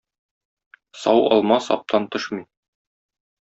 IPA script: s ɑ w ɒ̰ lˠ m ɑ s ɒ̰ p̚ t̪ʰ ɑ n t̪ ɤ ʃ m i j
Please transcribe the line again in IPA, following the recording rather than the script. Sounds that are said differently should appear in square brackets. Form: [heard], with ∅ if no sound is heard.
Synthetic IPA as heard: s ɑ w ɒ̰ lˠ m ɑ s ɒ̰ p̚ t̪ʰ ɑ n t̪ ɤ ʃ m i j